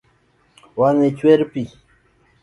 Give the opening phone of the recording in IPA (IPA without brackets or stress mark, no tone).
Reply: w